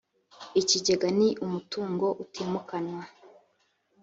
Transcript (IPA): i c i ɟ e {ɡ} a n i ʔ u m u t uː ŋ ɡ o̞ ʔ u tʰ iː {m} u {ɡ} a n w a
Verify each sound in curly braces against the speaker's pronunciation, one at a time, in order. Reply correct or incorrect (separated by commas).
correct, correct, incorrect